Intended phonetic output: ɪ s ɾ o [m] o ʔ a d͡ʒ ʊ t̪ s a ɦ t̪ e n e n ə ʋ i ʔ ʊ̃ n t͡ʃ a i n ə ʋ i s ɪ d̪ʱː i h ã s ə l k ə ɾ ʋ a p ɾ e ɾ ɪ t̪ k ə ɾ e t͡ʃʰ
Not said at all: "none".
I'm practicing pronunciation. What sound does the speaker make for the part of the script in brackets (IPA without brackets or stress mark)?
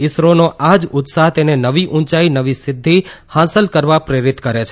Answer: n